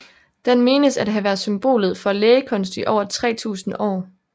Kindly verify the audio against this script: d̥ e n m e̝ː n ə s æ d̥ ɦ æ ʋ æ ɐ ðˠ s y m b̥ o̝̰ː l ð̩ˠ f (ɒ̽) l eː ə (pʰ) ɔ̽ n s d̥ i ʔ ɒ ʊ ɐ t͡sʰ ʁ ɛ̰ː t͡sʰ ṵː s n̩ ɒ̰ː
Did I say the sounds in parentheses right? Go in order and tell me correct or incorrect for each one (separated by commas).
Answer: correct, incorrect